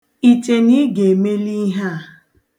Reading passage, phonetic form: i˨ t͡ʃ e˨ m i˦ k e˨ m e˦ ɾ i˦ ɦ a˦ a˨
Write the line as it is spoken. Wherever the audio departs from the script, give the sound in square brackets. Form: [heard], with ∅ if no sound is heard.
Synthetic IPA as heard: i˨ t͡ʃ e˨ [n] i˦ [ɡ] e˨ m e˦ [l] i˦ ɦ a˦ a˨